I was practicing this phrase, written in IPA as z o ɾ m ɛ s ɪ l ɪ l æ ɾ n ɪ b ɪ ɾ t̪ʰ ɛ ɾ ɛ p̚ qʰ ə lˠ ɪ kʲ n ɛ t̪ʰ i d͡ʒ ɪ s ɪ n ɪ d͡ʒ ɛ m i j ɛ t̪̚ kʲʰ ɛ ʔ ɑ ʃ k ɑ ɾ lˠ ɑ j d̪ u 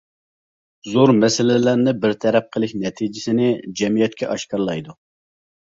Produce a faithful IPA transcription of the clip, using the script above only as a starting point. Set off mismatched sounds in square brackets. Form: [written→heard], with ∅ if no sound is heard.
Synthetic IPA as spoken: z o ɾ m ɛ s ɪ l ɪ l æ ɾ n ɪ b ɪ ɾ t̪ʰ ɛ ɾ ɛ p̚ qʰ ə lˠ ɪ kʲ n ɛ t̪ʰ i d͡ʒ ɪ s ɪ n ɪ d͡ʒ ɛ m i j ɛ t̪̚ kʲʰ ɛ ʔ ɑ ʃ k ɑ ɾ lˠ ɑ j d̪ u